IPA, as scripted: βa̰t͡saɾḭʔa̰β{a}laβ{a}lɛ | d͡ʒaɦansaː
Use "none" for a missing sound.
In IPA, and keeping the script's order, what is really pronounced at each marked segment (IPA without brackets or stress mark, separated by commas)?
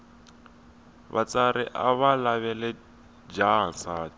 a, ɛ